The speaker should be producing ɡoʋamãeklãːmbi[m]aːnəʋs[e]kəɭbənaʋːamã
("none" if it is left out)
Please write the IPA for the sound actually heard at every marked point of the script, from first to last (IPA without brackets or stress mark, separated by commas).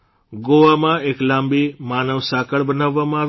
m, a